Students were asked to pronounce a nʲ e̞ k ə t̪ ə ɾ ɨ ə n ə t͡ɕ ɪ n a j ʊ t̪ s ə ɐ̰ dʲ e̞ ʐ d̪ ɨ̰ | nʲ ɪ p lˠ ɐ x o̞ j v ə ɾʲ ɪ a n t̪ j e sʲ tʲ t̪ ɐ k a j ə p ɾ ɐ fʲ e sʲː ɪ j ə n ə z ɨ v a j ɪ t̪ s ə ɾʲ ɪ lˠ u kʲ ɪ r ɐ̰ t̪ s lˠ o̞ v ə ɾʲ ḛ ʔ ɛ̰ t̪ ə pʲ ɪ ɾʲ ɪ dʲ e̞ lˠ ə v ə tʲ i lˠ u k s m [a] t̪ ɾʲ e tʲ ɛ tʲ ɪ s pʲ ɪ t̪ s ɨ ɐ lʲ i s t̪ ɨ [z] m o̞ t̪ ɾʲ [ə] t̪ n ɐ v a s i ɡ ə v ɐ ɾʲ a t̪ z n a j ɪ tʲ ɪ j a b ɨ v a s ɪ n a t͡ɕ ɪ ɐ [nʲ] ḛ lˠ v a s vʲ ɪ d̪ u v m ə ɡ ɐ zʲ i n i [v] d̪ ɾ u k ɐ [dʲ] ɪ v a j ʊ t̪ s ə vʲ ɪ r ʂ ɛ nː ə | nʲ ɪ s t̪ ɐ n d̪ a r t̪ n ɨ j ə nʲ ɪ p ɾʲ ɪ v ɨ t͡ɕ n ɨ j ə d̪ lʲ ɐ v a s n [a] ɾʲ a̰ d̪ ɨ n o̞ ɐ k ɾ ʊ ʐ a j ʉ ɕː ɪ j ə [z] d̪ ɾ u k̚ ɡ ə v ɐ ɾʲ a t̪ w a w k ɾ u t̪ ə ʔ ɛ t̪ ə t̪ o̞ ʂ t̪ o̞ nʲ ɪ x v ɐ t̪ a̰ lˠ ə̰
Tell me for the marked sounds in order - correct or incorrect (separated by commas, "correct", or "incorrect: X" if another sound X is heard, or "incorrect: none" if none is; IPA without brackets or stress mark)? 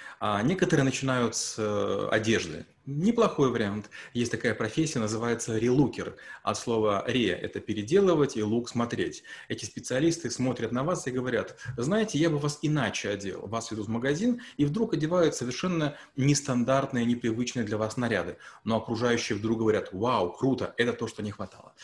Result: incorrect: ɐ, incorrect: s, correct, incorrect: dʲ, correct, correct, incorrect: ɐ, incorrect: v